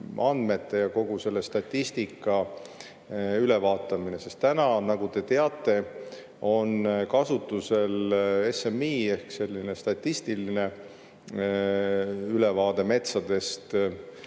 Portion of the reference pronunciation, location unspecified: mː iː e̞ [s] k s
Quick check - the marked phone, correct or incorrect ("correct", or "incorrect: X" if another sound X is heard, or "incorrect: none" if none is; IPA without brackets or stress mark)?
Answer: incorrect: h